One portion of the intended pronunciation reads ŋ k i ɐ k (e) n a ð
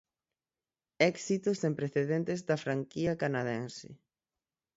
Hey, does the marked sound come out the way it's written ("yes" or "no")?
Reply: no